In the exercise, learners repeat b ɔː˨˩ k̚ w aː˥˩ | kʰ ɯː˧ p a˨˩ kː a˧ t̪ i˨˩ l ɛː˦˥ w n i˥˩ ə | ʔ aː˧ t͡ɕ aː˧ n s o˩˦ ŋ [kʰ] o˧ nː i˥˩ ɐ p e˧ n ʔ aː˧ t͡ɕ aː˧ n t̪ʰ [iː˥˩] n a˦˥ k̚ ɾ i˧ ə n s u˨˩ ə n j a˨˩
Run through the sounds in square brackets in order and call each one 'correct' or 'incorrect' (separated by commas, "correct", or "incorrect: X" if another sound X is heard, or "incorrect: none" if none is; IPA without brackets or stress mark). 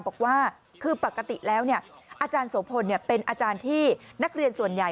incorrect: pʰ, correct